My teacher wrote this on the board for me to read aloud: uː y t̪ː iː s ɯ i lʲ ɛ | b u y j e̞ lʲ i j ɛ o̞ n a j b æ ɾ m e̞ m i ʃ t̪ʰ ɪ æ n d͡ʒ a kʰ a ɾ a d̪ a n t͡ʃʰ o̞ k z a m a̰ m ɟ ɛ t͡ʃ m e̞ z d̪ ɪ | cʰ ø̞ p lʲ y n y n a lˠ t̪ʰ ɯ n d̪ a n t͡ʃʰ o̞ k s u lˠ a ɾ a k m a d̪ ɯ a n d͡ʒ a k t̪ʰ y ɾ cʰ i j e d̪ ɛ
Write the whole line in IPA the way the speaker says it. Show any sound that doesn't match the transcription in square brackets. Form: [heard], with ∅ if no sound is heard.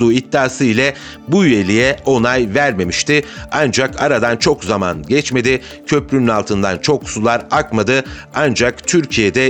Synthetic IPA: uː [i] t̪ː [aː] s ɯ i lʲ ɛ | b u y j e̞ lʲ i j ɛ o̞ n a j [v] æ ɾ m e̞ m i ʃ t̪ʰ ɪ [a] n d͡ʒ a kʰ a ɾ a d̪ a n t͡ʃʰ o̞ k z a m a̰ [n] ɟ ɛ t͡ʃ m e̞ [∅] d̪ ɪ | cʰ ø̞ p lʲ y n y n a lˠ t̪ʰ ɯ n d̪ a n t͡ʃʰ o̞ k s u lˠ a ɾ a k m a d̪ ɯ a n d͡ʒ a k t̪ʰ y ɾ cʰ i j e d̪ ɛ